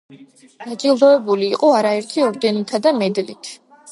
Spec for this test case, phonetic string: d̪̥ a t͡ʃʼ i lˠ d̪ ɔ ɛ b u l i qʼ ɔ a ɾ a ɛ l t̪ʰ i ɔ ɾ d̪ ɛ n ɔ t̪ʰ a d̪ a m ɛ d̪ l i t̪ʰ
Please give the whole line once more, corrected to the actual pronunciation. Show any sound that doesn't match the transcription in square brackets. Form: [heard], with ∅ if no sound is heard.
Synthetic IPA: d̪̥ a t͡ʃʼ i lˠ d̪ ɔ ɛ b u l [iː] qʼ ɔ a ɾ a ɛ [ɾ] t̪ʰ i ɔ ɾ d̪ ɛ n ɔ t̪ʰ a d̪ a m ɛ d̪ l i t̪ʰ